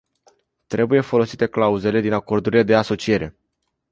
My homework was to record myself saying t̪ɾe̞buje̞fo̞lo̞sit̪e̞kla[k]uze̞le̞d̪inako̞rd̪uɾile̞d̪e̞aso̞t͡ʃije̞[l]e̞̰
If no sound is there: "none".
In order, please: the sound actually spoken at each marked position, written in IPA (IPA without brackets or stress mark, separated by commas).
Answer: none, ɾ